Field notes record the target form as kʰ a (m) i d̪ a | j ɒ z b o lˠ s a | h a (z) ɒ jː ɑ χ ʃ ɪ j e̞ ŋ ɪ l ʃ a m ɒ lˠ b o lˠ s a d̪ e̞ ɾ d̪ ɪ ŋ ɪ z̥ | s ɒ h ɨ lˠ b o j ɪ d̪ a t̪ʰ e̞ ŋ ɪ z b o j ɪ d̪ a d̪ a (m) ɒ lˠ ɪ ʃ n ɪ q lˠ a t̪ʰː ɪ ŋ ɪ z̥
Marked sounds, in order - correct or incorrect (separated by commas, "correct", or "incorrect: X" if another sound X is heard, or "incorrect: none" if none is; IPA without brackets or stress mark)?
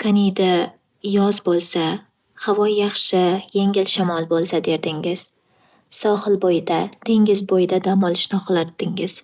incorrect: n, incorrect: v, correct